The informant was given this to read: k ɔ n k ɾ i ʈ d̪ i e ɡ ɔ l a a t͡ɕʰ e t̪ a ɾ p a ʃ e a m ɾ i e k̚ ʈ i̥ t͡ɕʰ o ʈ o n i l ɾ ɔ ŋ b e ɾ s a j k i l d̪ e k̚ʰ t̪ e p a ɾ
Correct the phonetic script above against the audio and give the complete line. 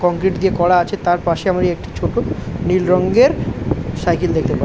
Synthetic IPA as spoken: k ɔ ŋ k ɾ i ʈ d̪ i e k ɔ ɽ a a t͡ɕʰ e t̪ a ɾ p a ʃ e a m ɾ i e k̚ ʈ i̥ t͡ɕʰ o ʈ o n i l ɾ ɔ ŋ ɡ e ɾ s a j k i l d̪ e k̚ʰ t̪ e p a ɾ